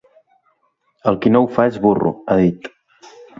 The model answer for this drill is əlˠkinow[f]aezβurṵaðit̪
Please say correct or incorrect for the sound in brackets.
correct